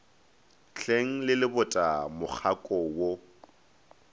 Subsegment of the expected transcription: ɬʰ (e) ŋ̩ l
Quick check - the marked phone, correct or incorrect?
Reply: correct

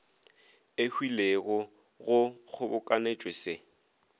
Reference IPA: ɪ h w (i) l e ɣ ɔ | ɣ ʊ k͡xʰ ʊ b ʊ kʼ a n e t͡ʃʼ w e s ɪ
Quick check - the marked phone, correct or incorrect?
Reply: correct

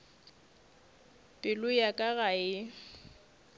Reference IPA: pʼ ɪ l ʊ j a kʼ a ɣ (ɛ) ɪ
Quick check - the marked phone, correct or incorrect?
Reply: incorrect: a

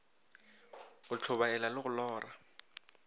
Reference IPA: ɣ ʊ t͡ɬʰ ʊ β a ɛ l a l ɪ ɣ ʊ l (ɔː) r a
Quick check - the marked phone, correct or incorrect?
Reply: correct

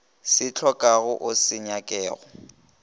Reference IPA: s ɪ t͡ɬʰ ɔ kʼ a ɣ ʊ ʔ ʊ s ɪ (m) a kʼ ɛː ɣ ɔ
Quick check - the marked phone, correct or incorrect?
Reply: incorrect: ɲ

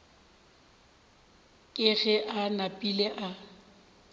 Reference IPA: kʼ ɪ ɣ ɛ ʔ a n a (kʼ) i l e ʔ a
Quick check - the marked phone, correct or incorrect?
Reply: incorrect: pʼ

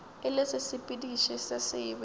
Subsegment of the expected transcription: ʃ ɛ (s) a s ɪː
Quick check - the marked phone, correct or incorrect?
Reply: correct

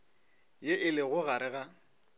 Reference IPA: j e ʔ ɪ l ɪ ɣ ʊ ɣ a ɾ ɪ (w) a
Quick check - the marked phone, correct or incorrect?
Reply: incorrect: ɣ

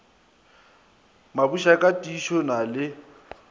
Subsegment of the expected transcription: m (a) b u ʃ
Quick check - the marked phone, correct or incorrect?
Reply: correct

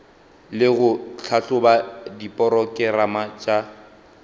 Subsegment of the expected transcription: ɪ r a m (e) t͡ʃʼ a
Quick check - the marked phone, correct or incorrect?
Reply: incorrect: a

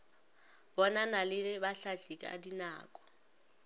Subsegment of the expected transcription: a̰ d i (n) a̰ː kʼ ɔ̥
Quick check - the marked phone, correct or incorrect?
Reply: correct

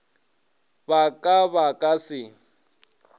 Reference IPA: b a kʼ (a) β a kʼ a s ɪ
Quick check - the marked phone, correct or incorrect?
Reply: correct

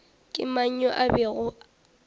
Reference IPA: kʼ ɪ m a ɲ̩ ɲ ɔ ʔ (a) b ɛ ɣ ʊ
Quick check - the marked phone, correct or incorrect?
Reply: correct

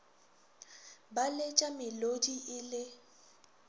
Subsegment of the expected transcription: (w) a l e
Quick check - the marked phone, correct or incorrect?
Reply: incorrect: b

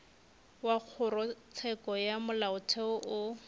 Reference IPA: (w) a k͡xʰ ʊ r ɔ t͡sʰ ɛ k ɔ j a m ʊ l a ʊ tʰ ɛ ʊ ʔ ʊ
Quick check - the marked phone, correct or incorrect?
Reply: correct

